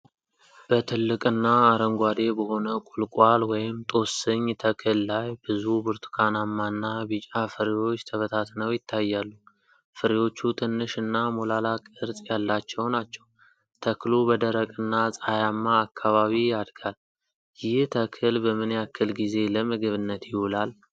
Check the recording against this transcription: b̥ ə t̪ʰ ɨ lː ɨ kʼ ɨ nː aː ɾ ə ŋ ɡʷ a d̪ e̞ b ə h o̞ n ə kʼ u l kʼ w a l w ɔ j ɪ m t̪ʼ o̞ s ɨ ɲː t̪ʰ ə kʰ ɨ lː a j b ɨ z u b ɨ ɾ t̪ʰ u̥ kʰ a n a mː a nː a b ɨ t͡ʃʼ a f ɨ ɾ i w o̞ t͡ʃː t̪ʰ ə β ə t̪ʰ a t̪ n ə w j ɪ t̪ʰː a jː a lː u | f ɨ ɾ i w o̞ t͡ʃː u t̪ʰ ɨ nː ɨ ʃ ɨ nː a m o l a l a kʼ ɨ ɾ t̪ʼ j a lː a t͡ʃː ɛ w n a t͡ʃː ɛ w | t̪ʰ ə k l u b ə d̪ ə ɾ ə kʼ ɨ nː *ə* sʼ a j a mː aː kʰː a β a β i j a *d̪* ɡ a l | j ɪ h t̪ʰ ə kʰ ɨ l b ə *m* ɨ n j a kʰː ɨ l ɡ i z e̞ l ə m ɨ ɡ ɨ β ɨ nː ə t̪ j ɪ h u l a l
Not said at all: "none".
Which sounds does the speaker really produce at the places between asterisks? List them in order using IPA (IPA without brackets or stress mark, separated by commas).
a, d̪, m